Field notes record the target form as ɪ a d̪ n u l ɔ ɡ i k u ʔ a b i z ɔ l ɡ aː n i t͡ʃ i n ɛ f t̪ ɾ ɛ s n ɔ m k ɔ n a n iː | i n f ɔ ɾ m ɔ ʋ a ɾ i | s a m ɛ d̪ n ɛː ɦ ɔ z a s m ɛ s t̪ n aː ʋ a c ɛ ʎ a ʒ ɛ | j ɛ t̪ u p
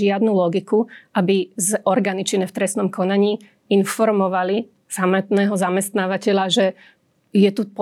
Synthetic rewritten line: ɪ a d̪ n u l ɔ ɡ i k u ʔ a b i z ɔ ɾ ɡ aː n i t͡ʃ i n ɛ f t̪ ɾ ɛ s n ɔ m k ɔ n a ɲ iː | i n f ɔ ɾ m ɔ ʋ a l i | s a m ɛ t̪ n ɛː ɦ ɔ z a m ɛ s t̪ n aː ʋ a c ɛ ʎ a ʒ ɛ | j ɛ t̪ u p